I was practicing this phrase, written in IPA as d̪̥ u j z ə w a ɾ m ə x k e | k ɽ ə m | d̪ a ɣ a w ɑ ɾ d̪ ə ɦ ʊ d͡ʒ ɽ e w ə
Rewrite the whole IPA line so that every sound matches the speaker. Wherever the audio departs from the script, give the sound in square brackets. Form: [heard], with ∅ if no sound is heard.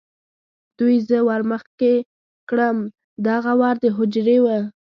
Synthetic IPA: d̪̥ u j z ə w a ɾ m ə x k e | k ɽ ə m | d̪ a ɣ a w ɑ ɾ d̪ ə ɦ ʊ d͡ʒ [ɾ] e w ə